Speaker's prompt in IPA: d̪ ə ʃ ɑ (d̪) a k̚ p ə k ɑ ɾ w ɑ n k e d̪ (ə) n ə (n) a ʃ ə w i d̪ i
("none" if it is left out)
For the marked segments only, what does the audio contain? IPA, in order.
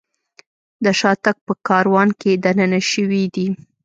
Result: t̪, a, n

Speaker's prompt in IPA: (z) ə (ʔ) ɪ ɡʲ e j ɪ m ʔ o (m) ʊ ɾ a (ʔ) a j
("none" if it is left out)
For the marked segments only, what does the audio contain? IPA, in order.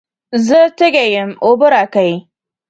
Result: z, t, b, k

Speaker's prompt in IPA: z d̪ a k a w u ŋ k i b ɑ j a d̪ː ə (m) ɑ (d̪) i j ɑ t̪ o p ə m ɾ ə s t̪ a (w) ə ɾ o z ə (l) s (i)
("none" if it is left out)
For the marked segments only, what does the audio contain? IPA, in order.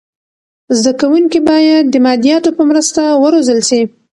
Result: m, d̪, w, l, i

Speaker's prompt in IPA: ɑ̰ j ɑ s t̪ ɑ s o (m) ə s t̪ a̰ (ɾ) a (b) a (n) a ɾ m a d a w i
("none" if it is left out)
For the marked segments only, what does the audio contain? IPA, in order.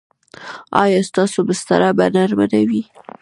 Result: b, ɾ, b, n

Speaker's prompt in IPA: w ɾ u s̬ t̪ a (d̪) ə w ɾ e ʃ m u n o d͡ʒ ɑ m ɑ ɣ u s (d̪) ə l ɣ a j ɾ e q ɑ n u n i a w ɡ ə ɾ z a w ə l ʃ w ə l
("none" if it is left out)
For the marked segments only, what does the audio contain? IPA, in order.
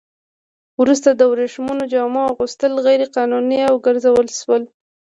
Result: d̪, t̪

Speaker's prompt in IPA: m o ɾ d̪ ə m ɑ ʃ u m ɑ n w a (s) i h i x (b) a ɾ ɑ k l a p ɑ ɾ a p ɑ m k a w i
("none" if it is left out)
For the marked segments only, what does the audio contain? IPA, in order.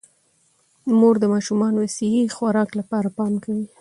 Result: s, w

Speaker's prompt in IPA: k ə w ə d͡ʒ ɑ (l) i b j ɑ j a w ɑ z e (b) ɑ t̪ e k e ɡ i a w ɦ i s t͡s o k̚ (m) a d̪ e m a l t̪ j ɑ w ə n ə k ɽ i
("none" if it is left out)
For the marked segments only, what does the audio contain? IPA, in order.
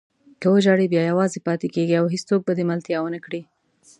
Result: ɽ, p, b

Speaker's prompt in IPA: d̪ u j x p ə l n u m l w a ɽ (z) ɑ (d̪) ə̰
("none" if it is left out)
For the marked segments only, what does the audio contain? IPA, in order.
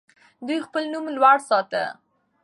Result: s, t̪

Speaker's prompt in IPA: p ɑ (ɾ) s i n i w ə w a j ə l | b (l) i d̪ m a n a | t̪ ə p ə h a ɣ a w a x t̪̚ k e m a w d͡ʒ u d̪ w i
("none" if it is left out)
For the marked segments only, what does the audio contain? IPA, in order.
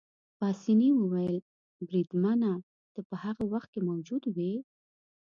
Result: none, ɾ

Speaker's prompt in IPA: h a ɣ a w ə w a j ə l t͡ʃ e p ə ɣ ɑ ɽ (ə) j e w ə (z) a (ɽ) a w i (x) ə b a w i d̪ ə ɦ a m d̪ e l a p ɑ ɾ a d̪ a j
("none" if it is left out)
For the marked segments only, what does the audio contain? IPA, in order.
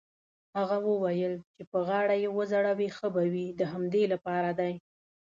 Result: a, z, ɽ, x

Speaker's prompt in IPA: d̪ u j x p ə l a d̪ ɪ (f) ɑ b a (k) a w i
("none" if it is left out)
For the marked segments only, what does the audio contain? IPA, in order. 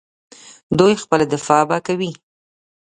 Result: f, k

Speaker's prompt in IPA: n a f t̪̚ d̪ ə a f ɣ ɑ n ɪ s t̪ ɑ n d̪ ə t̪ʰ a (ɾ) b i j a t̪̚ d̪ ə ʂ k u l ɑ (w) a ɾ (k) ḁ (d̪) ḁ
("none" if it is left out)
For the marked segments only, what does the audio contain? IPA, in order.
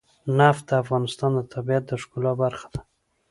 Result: none, b, x, d̪

